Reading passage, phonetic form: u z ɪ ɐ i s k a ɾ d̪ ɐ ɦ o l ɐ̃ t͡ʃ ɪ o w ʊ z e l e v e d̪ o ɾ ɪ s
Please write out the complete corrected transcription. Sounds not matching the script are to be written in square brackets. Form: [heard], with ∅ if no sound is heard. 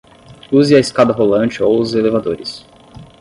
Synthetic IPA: u z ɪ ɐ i s k a [∅] d̪ ɐ ɦ o l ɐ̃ t͡ʃ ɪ o w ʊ z e l e v [a] d̪ o ɾ ɪ s